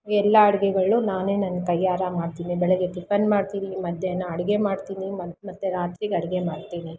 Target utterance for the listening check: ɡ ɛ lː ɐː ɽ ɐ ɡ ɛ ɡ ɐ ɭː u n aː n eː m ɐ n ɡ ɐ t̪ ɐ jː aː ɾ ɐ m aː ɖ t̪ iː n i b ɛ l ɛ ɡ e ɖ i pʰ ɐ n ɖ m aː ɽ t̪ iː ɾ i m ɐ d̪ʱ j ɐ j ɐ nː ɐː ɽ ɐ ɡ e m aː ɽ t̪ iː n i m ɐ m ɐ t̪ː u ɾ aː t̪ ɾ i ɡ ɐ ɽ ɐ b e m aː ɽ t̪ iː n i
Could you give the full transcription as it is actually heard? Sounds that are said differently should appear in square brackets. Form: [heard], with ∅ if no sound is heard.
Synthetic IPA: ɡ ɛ lː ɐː ɽ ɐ ɡ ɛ ɡ ɐ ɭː u n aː n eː [n] ɐ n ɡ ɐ t̪ ɐ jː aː ɾ ɐ m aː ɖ t̪ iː n i b ɛ [ɭ] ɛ ɡ e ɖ i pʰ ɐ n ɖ m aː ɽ t̪ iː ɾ i m ɐ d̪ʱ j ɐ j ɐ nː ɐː ɽ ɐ ɡ e m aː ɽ t̪ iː n i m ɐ m ɐ t̪ː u ɾ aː t̪ ɾ i ɡ ɐ ɽ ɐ [ɡ] e m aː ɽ t̪ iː n i